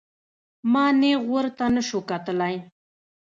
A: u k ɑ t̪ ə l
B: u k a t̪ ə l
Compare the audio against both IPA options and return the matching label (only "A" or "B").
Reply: B